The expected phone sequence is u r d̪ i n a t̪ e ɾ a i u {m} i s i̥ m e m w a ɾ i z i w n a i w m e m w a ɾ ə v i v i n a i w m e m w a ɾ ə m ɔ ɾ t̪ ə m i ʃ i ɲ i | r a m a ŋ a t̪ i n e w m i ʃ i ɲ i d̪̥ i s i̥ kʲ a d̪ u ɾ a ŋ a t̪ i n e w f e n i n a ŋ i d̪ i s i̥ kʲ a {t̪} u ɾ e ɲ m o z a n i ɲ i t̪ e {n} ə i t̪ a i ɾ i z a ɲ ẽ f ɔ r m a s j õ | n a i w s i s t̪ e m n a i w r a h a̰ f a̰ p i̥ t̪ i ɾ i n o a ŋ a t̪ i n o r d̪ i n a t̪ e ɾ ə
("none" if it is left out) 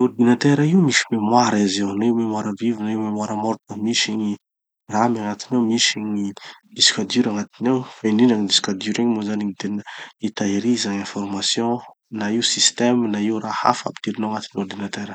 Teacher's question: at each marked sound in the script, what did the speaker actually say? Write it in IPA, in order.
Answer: m, d̪, n

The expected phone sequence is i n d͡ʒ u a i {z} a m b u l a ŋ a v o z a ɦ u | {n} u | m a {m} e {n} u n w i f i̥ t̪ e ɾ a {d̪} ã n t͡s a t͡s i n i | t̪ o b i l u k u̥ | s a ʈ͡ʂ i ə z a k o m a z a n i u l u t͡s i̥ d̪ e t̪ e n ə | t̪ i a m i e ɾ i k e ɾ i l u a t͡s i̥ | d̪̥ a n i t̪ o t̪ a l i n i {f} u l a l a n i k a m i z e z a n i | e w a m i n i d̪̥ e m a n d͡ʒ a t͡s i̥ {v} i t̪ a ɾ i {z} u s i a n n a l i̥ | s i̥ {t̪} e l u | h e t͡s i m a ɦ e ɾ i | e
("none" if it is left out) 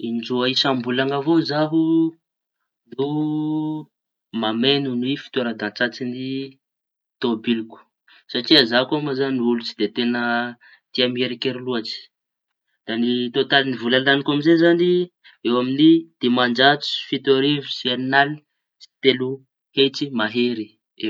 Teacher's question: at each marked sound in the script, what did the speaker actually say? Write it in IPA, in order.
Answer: s, n, m, n, d̪, v, f, v, t̪

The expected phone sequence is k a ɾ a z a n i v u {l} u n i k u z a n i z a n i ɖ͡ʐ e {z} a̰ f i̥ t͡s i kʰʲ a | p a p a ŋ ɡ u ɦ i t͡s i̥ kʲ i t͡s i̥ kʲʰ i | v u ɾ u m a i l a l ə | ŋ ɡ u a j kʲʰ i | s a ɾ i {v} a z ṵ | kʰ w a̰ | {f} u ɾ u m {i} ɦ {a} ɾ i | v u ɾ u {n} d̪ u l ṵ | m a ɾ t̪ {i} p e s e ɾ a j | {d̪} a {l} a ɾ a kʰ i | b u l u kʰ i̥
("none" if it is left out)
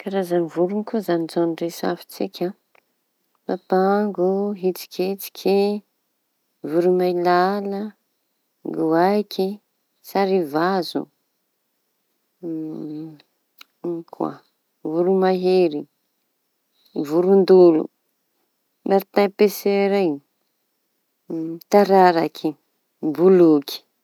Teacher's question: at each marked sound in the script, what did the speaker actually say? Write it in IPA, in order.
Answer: ɾ, s, v, v, a, e, n, a, t̪, ɾ

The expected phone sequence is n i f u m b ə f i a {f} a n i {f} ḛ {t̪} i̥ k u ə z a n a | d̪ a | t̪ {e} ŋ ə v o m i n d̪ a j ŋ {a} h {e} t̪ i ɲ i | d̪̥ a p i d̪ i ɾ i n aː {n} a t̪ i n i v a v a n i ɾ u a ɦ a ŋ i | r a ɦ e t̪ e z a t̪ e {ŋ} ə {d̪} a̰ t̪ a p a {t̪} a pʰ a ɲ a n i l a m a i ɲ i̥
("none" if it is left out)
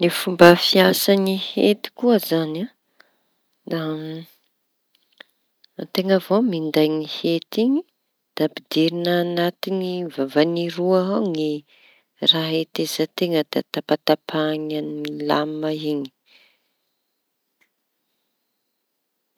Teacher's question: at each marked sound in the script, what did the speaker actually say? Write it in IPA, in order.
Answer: s, h, t̪, e, i, e, n, ŋ, d̪, t̪

